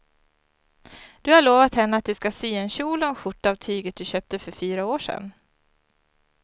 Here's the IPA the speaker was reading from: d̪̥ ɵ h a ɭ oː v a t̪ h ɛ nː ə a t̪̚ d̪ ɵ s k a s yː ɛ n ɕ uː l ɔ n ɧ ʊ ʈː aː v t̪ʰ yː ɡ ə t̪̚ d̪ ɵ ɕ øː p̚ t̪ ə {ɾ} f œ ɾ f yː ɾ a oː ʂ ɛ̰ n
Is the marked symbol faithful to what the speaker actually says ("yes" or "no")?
no